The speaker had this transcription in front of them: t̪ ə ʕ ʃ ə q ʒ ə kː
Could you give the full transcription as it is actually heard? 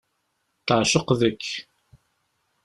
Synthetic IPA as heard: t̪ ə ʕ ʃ ə q ð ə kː